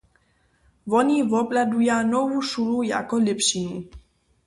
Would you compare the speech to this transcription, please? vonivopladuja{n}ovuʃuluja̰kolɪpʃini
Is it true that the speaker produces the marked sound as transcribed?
yes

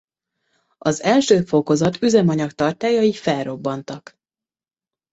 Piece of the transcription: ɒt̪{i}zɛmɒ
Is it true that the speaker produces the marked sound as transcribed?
no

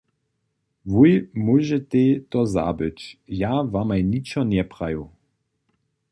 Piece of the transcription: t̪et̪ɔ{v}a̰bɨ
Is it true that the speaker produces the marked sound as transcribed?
no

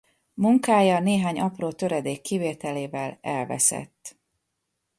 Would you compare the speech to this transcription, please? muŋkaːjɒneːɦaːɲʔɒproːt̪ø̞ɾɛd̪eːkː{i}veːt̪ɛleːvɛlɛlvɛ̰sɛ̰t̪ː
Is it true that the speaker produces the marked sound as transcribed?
yes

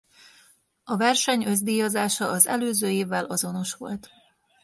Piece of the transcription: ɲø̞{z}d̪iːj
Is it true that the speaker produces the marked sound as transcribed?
yes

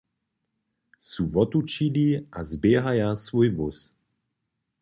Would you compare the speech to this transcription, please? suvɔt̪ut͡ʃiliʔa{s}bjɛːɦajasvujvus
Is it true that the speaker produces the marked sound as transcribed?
no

